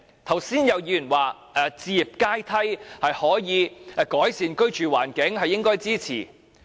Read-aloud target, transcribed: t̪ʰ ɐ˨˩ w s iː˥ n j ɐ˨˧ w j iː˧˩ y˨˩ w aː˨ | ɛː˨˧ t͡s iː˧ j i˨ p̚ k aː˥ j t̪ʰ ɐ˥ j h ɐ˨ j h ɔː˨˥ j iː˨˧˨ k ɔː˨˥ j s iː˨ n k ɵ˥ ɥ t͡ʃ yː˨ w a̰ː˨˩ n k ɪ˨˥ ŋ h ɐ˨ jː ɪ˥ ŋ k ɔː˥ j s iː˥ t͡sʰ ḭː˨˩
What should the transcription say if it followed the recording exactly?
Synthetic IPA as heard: t̪ʰ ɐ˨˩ w s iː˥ n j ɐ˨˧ w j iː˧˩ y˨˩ w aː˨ | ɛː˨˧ t͡s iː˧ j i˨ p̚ k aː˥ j t̪ʰ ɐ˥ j h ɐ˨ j h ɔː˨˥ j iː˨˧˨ k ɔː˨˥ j s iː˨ n k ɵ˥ ɥ t͡ʃ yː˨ w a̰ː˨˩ n k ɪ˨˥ ŋ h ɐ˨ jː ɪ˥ ŋ k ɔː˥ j t͡s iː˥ t͡sʰ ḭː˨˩